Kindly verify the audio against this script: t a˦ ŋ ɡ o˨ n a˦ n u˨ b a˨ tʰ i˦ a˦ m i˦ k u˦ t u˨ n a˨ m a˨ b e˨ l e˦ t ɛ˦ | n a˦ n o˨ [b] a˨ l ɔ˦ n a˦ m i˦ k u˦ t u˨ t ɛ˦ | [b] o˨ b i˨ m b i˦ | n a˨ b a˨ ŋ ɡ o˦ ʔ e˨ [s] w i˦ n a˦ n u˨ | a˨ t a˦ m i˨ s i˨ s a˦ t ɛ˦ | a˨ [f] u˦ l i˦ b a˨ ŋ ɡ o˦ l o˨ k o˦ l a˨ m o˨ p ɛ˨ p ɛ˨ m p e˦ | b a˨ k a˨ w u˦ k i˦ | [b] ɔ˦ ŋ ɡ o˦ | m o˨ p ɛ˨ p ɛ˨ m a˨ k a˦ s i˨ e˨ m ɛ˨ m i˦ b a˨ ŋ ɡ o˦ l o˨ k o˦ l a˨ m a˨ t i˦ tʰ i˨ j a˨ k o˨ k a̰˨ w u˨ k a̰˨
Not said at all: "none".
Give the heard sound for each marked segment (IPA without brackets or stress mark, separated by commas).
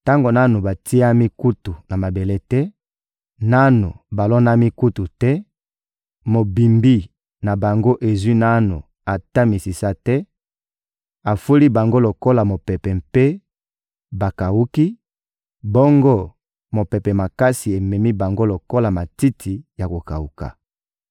b, m, z, f, b